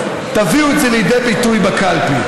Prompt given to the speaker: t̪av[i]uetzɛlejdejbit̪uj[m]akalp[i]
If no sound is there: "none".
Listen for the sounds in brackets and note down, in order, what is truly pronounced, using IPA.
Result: i, b, i

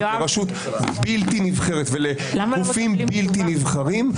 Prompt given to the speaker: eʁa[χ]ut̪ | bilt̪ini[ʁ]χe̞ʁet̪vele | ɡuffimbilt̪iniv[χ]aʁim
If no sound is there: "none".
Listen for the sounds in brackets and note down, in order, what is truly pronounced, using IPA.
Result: ʃ, v, χ

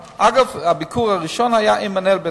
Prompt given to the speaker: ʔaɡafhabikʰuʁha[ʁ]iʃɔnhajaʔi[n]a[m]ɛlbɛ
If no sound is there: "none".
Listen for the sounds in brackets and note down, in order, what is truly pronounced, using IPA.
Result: ʁ, m, n

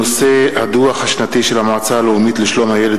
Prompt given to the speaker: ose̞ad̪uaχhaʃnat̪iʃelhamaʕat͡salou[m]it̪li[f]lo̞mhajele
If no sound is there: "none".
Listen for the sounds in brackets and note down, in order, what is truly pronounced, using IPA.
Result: m, ʃ

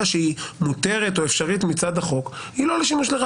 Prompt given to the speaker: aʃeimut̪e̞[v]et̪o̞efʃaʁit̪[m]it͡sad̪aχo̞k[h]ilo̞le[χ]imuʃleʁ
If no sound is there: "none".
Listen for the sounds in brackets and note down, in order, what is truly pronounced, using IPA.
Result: ʁ, m, h, ʃ

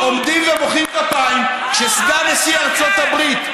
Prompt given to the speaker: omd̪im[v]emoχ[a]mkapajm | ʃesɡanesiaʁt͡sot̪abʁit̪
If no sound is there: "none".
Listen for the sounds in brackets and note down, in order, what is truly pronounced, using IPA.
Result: v, i

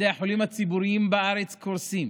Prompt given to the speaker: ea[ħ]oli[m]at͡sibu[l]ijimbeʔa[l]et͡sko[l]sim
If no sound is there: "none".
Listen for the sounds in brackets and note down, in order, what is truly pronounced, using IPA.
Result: ħ, m, ɾ, ɾ, ɾ

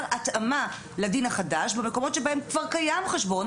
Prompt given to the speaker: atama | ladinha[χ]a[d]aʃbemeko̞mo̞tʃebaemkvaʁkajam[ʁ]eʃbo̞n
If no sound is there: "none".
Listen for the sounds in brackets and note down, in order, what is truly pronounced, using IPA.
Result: χ, d, χ

